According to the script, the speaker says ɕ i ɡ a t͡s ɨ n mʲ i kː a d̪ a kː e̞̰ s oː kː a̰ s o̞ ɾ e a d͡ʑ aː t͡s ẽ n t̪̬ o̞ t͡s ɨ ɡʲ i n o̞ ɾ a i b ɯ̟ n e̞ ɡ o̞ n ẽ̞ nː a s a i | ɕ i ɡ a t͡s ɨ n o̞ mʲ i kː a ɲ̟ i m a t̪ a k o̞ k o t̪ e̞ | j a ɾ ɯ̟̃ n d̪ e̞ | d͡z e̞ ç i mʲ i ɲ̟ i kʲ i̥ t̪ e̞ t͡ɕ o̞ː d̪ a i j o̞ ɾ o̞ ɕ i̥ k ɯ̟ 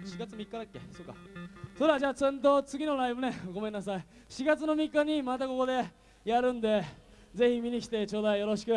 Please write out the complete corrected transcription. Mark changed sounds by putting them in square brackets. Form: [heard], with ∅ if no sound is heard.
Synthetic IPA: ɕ i ɡ a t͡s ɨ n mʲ i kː a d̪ a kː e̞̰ s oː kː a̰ s o̞ ɾ e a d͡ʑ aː t͡s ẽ n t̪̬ o̞ t͡s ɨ ɡʲ i n o̞ ɾ a i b ɯ̟ n e̞ ɡ o̞ [m] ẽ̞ nː a s a i | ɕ i ɡ a t͡s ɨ n o̞ mʲ i kː a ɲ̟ i m a t̪ a k o̞ k o [d̪] e̞ | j a ɾ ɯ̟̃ n d̪ e̞ | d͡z e̞ ç i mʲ i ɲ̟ i kʲ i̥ t̪ e̞ t͡ɕ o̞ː d̪ a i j o̞ ɾ o̞ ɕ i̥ k ɯ̟